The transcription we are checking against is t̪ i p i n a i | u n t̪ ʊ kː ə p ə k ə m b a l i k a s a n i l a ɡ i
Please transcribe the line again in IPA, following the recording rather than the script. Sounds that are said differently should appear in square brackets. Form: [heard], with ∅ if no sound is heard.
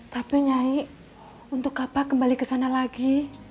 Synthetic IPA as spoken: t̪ [a] p i [ɲ] a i | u n t̪ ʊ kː [a] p [a] k ə m b a l i k [ə] s a n [a] l a ɡ i